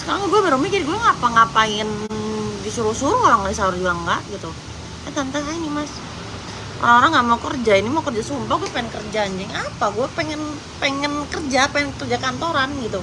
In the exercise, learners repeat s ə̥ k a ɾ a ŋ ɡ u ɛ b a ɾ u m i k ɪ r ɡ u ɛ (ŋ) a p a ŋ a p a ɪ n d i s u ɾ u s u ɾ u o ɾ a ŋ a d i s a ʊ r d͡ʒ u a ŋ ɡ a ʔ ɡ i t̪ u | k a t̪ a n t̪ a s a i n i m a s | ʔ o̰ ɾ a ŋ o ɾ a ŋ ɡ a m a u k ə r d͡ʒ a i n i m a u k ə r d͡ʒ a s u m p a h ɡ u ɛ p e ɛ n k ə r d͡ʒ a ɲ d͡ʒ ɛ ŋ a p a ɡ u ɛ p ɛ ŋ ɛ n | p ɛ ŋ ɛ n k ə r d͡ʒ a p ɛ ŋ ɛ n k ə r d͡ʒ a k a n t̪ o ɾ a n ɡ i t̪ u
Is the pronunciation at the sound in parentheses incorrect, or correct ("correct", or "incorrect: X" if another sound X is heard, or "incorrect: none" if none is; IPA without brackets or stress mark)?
correct